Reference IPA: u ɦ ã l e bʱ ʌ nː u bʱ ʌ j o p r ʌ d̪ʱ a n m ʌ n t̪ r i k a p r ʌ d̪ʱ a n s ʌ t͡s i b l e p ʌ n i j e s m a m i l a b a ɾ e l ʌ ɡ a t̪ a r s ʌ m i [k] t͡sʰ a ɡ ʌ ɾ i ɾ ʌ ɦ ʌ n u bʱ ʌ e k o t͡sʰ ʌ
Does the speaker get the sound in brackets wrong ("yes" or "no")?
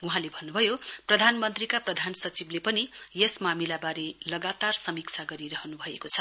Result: no